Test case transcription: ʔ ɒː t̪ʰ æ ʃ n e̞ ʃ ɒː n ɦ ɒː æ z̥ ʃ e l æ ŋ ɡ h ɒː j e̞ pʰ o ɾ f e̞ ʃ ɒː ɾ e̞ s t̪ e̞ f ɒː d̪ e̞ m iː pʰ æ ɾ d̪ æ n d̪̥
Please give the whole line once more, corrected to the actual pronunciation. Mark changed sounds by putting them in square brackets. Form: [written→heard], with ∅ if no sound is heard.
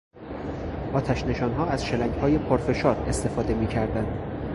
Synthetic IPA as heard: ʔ ɒː t̪ʰ æ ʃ n e̞ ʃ ɒː n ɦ ɒː æ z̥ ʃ e l æ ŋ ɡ h ɒː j e̞ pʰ o ɾ f e̞ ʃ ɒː ɾ e̞ s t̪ e̞ f ɒː d̪ e̞ m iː [pʰ→cʰ] æ ɾ d̪ æ n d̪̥